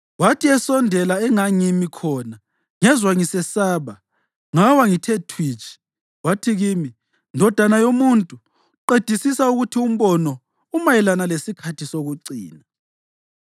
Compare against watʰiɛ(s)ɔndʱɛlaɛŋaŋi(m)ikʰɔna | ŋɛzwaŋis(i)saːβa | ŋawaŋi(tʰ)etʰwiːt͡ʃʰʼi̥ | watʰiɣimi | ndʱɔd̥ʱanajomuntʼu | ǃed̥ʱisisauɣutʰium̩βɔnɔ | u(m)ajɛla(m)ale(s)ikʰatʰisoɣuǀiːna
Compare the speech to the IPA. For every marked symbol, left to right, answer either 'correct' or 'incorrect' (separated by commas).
correct, correct, incorrect, correct, correct, incorrect, correct